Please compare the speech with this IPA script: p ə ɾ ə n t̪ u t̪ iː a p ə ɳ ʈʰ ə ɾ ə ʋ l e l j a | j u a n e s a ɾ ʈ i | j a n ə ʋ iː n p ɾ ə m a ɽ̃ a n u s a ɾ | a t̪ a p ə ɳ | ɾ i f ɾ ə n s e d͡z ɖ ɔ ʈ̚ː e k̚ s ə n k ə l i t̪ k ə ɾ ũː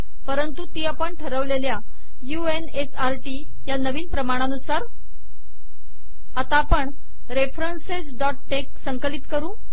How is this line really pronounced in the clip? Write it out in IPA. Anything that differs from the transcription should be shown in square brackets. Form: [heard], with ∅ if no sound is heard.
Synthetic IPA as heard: p ə ɾ ə n t̪ u t̪ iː a p ə ɳ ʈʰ ə ɾ ə ʋ l e l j a | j u [e] n e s a ɾ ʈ i | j a n ə ʋ iː n p ɾ ə m a ɽ̃ a n u s a ɾ | a t̪ a p ə ɳ | ɾ [e] f ɾ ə n s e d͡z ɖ ɔ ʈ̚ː e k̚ s ə [ŋ] k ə l i t̪ k ə ɾ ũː